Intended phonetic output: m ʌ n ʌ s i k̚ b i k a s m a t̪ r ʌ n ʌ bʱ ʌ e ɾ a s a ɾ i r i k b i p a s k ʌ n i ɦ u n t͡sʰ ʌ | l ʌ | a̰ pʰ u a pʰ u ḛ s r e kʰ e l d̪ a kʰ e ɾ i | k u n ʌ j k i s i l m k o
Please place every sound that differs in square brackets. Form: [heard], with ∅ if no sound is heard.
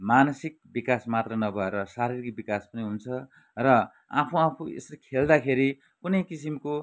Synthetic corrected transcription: m [a] n ʌ s i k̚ b i k a s m a t̪ r ʌ n ʌ bʱ ʌ e ɾ [ʌ] s a ɾ i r i k b i [k] a s [p] ʌ n i ɦ u n t͡sʰ ʌ | [r] ʌ | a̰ pʰ u a pʰ u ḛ s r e kʰ e l d̪ a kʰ e ɾ i | k u n ʌ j k i s i [∅] m k o